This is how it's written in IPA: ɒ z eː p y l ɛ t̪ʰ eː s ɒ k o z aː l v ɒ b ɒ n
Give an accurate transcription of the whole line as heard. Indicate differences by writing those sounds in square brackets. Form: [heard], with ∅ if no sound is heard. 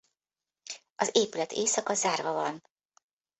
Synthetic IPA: ɒ z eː p y l ɛ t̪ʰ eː s ɒ k [ɒ] z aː [r] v ɒ [v] ɒ n